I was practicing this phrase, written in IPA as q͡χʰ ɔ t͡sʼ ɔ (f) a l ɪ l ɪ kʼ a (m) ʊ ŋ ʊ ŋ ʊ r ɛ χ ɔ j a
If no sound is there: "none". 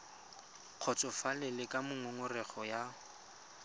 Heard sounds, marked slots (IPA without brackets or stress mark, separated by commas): f, m